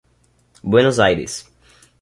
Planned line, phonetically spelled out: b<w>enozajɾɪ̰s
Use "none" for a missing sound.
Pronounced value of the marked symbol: w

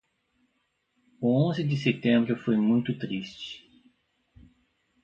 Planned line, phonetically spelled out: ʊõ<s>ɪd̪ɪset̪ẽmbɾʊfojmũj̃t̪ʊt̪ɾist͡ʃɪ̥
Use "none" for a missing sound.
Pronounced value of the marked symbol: z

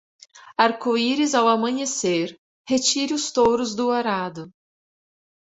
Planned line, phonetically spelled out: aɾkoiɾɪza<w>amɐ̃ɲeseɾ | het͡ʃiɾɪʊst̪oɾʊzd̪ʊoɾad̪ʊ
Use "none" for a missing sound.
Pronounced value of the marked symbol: w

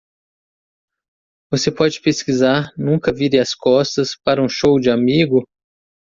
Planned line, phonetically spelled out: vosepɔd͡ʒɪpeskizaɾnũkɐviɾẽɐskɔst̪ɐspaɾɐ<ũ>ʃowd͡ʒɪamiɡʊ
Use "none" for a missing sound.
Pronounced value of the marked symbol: ũ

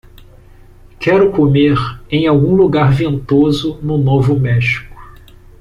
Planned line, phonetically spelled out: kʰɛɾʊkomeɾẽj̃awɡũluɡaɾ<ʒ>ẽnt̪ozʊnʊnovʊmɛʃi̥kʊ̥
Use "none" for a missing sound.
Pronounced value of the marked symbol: v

